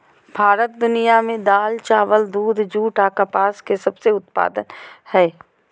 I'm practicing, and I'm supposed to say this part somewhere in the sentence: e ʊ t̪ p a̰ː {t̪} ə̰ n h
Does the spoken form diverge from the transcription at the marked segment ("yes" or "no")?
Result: yes